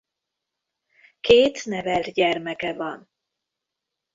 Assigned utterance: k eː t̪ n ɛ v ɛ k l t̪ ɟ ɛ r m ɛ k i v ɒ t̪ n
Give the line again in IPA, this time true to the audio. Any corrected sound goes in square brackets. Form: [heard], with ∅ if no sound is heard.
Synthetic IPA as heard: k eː t̪ n ɛ v ɛ [∅] l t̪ ɟ ɛ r m ɛ k [ɛ] v ɒ [∅] n